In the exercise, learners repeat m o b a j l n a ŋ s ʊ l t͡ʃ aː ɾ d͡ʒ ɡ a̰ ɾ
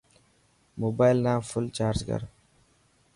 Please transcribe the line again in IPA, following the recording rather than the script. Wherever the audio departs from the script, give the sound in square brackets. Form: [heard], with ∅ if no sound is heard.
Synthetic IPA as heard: m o b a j l n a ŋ [f] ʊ l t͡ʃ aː ɾ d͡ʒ ɡ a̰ ɾ

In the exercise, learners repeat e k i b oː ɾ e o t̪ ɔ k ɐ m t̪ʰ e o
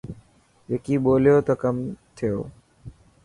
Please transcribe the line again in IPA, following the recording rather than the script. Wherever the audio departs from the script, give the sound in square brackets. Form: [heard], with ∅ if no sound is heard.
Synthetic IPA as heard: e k i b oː [l] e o t̪ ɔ k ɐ m t̪ʰ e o

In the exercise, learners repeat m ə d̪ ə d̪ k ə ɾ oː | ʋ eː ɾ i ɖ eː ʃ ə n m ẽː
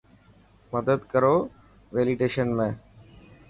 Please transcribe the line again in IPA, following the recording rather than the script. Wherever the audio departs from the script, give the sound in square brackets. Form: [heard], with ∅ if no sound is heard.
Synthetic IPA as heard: m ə d̪ ə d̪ k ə ɾ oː | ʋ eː [l] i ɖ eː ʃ ə n m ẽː

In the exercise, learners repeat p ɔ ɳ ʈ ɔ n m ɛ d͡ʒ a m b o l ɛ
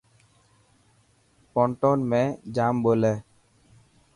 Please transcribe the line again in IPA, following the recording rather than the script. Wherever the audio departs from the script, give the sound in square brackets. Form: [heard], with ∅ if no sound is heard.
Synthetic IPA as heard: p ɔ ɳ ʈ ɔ n m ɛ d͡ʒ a m b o l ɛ

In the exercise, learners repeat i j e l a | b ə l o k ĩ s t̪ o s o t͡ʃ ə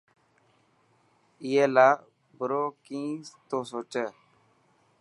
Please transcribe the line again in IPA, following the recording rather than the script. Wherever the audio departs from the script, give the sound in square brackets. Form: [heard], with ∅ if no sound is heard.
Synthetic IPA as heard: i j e l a | b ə [ɾ] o k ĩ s t̪ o s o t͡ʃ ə

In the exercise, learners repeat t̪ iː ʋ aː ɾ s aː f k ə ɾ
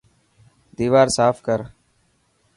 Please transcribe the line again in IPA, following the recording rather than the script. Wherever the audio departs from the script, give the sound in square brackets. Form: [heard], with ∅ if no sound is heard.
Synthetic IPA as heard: [d̪] iː ʋ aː ɾ s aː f k ə ɾ

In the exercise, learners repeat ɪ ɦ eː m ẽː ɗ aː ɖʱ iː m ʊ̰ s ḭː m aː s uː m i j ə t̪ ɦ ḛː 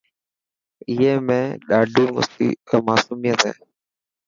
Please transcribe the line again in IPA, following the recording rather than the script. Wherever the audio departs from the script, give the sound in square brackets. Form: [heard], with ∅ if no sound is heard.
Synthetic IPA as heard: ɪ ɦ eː m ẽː ɗ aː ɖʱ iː m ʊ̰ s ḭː m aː s uː m i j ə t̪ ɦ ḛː

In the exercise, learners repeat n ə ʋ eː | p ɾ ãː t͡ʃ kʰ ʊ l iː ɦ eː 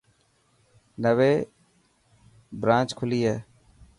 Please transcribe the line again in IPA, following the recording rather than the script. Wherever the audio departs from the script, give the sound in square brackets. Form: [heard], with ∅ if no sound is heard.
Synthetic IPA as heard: n ə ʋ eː | [b] ɾ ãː t͡ʃ kʰ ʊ l iː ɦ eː

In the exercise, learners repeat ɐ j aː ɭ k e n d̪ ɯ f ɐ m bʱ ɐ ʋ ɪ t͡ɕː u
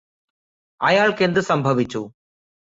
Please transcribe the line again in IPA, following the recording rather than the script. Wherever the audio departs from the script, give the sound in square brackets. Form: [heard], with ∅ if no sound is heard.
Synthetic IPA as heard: ɐ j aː ɭ k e n d̪ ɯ [s] ɐ m bʱ ɐ ʋ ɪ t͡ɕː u

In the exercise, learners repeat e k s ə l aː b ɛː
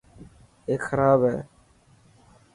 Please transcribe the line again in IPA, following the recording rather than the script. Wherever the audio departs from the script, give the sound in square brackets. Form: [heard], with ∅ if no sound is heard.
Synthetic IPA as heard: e k [x] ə [ɾ] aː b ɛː

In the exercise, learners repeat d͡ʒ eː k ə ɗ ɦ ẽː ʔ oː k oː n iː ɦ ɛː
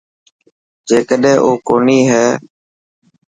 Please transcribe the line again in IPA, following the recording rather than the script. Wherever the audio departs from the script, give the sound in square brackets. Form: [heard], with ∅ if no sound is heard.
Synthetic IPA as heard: d͡ʒ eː k ə ɗ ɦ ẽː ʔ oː k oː n iː ɦ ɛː

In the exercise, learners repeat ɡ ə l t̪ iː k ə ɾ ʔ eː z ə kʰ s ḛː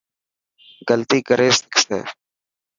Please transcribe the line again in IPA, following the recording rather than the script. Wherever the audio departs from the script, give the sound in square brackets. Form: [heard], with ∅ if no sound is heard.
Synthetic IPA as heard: ɡ ə l t̪ iː k ə ɾ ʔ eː [s] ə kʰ s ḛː

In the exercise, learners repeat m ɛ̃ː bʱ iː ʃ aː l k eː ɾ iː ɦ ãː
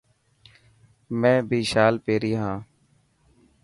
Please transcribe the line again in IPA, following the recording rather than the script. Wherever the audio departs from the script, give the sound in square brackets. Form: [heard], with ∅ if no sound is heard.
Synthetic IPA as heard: m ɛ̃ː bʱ iː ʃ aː l [p] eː ɾ iː ɦ ãː

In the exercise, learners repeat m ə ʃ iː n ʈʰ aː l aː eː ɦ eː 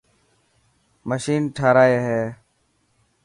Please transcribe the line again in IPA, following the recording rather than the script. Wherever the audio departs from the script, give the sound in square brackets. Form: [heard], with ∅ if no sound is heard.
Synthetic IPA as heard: m ə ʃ iː n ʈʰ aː [ɾ] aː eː ɦ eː

